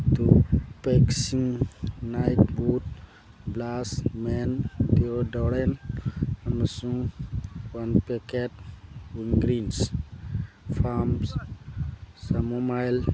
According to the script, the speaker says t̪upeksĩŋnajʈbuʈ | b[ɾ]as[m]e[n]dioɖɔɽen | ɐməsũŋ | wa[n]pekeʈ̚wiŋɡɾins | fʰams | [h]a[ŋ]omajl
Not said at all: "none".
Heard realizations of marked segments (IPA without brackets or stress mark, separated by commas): l, m, n, n, s, m